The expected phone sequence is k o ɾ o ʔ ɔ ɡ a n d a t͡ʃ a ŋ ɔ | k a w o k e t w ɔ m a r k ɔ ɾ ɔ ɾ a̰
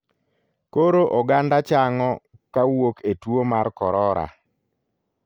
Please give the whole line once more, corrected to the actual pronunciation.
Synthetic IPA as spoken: k o ɾ o ʔ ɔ ɡ a n d a t͡ʃ a ŋ ɔ | k a w o k e t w o m a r k ɔ ɾ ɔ ɾ a̰